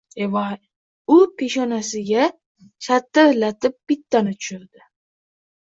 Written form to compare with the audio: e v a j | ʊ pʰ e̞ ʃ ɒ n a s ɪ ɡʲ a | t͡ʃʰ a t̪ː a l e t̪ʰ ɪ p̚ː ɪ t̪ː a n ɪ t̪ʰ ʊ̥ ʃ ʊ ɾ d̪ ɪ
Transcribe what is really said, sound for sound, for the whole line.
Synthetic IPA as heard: e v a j | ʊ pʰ e̞ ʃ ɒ n a s ɪ ɡʲ a | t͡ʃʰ a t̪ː a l a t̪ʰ ɪ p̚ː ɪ t̪ː a n ɪ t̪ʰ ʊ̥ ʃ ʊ ɾ d̪ ɪ